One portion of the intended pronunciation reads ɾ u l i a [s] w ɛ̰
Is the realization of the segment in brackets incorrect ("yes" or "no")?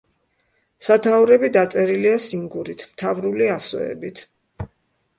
no